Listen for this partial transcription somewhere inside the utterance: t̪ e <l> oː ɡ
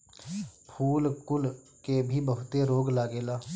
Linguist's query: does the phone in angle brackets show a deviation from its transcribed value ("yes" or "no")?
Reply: yes